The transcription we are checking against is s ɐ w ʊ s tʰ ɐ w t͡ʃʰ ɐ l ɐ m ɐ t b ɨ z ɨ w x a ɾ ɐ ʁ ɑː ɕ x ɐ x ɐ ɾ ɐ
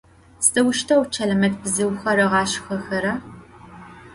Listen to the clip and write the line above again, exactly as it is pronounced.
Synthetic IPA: s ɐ w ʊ ʃ tʰ ɐ w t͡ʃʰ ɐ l ɐ m ɐ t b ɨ z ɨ w x ɐ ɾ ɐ ʁ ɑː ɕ x ɐ x ɐ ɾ ɐ